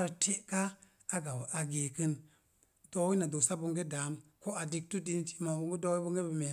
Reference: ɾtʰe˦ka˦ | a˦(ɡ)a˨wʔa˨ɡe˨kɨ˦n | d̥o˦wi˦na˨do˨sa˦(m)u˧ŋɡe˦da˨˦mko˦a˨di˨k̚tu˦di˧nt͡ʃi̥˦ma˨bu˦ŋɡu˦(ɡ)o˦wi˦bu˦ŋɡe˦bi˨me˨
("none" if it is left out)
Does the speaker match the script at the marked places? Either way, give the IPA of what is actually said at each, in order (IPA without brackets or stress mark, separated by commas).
ɡ, b, d